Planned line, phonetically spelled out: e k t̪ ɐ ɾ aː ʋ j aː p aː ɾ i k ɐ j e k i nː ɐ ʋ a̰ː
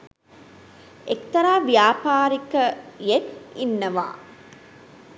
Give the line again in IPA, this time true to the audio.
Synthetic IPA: e k t̪ ɐ ɾ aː ʋ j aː p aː ɾ i k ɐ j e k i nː ɐ ʋ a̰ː

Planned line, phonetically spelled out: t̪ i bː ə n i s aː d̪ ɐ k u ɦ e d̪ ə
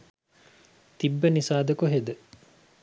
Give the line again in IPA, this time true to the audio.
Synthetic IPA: t̪ i bː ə n i s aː d̪ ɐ k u ɦ e d̪ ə

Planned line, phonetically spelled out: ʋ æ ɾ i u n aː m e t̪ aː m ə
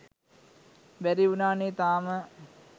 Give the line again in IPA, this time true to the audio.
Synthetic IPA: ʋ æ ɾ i u n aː n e t̪ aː m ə

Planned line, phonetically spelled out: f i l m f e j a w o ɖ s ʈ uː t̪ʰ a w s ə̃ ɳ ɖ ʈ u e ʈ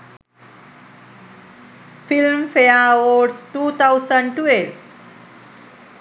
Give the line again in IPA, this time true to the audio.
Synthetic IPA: f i l m f e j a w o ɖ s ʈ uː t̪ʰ a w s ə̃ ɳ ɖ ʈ u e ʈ

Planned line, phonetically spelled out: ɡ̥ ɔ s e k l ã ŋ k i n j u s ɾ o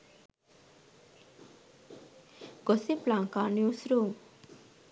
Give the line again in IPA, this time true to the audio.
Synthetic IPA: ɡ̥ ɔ s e p l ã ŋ k a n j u s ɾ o

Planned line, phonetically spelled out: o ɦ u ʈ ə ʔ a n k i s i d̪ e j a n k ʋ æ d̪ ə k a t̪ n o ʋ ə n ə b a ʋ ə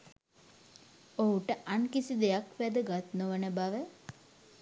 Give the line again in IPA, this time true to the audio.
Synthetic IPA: o ɦ u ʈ ə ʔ a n k i s i d̪ e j a k ʋ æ d̪ ə ɡ a t̪ n o ʋ ə n ə b a ʋ ə

